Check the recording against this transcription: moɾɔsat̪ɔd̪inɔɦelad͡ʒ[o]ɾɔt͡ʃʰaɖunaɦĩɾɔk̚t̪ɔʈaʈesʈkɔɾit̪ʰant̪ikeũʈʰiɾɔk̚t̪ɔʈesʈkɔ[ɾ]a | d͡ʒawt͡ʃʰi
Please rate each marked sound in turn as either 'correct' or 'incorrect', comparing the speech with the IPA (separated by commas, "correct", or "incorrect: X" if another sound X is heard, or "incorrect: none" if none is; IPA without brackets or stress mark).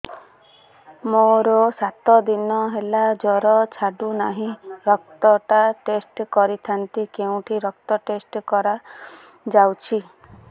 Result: incorrect: ɔ, correct